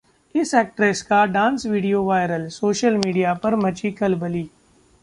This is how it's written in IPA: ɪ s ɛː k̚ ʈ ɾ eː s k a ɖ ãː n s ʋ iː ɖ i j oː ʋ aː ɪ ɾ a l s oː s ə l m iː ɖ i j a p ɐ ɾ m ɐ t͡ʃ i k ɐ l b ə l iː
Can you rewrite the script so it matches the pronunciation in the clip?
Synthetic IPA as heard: ɪ s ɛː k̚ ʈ ɾ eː s k a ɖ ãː n s ʋ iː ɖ i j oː ʋ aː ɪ ɾ ə l s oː ʃ ə l m iː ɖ i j a p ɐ ɾ m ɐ t͡ʃ i k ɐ l b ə l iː